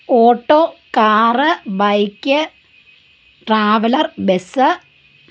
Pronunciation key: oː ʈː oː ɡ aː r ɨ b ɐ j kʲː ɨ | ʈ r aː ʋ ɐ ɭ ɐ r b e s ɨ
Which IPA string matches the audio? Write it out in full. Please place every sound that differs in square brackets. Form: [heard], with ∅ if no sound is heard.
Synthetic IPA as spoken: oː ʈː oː [k] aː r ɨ b ɐ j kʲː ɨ | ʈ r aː ʋ ɐ [l] ɐ r b e s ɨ